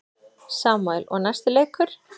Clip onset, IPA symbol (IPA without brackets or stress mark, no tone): s